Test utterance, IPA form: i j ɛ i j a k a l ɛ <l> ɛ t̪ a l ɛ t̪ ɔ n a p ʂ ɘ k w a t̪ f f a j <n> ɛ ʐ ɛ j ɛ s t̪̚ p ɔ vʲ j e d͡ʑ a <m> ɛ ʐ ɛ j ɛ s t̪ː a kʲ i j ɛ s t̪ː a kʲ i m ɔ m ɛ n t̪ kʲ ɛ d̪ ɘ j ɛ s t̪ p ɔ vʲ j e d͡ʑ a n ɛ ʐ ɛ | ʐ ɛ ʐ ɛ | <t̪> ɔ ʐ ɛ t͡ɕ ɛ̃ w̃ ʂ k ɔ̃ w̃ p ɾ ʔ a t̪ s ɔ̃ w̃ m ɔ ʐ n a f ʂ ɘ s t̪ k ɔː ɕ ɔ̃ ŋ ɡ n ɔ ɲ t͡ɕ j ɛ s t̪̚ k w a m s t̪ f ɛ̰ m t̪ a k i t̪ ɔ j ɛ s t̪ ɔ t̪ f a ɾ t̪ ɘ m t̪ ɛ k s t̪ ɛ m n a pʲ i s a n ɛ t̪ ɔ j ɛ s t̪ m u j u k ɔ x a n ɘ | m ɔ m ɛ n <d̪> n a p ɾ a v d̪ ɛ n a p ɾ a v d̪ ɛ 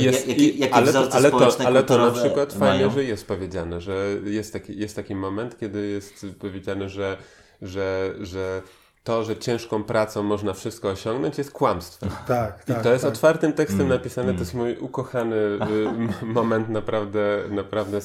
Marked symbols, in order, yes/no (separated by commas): yes, no, no, yes, no